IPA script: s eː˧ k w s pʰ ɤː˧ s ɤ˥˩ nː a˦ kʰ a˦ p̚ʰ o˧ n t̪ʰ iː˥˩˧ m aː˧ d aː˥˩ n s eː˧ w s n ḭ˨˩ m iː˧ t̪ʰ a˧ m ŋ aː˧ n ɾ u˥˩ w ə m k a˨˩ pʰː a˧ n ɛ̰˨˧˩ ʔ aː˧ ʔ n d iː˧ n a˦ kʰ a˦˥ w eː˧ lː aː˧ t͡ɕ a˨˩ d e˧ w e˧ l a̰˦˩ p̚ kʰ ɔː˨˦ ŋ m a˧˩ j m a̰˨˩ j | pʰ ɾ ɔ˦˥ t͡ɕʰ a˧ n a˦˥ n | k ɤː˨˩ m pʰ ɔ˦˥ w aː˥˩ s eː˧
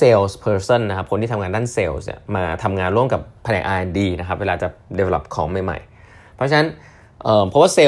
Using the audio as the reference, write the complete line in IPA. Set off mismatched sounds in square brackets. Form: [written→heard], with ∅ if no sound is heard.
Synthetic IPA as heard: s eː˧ [k→∅] w s pʰ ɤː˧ s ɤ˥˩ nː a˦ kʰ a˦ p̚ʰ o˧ n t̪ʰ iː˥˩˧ [m→ŋ] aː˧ d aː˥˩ n s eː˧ w s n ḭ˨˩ m [iː˧→aː˧] t̪ʰ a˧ m ŋ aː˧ n ɾ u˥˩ [w→∅] ə m k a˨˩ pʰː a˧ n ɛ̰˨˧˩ ʔ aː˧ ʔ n d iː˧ n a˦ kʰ a˦˥ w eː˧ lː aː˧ t͡ɕ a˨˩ d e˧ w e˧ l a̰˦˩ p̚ kʰ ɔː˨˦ ŋ m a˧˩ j m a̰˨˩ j | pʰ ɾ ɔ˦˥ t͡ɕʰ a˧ n a˦˥ n | [k→ʔ] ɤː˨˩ m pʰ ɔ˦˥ w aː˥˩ s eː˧